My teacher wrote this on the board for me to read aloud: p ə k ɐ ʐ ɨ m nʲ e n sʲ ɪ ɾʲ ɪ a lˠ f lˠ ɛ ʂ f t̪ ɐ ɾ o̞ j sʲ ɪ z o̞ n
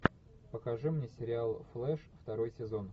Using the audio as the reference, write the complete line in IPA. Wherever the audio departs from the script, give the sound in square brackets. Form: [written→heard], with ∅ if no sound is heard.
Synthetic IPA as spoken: p ə k ɐ ʐ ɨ m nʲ e [n→∅] sʲ ɪ ɾʲ ɪ a lˠ f lˠ ɛ ʂ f t̪ ɐ ɾ o̞ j sʲ ɪ z o̞ n